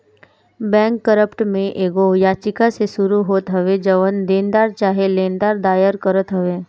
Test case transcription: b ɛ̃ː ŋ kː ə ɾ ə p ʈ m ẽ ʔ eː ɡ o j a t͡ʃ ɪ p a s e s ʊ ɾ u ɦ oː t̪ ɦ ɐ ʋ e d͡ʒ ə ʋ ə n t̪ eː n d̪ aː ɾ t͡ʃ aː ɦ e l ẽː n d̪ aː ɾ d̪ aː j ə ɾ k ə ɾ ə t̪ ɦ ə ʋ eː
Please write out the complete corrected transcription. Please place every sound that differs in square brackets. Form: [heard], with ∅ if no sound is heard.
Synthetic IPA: b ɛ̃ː ŋ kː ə ɾ ə p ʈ m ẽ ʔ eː ɡ o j a t͡ʃ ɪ [k] a s e s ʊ ɾ u ɦ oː t̪ ɦ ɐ ʋ e d͡ʒ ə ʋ ə n [d̪] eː n d̪ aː ɾ t͡ʃ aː ɦ e l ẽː n d̪ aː ɾ d̪ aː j ə ɾ k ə ɾ ə t̪ ɦ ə ʋ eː